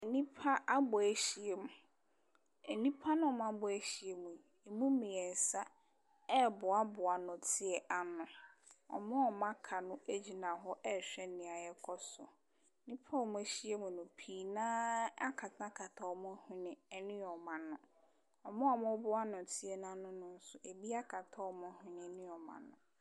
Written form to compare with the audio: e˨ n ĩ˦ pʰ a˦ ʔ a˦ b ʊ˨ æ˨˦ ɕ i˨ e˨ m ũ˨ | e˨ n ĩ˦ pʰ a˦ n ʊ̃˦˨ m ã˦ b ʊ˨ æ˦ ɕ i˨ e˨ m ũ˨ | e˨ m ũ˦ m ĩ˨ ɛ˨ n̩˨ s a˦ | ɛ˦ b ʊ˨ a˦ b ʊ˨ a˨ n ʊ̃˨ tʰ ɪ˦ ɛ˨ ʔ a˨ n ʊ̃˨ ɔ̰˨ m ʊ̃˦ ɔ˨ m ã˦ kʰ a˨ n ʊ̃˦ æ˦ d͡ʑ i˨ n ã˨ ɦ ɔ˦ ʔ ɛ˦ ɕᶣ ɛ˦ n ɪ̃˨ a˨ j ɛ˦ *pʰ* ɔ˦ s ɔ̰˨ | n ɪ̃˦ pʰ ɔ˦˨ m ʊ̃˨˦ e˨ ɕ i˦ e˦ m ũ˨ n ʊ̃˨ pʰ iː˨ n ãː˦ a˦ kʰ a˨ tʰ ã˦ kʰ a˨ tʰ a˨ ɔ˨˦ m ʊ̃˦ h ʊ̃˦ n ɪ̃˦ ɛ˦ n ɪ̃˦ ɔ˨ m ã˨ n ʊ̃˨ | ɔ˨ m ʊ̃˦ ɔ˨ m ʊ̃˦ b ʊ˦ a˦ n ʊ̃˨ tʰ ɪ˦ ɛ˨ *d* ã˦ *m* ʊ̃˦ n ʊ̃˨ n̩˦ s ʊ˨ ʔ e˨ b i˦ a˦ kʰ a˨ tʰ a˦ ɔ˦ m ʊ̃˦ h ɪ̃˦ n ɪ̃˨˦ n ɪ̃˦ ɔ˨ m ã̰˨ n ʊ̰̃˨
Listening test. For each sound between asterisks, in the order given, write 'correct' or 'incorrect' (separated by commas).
incorrect, incorrect, incorrect